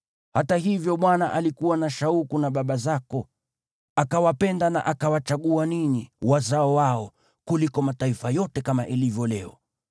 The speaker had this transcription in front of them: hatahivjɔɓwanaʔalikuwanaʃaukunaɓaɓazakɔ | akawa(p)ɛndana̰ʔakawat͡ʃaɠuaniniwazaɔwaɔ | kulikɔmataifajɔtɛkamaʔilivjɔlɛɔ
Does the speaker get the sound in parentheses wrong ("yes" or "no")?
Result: no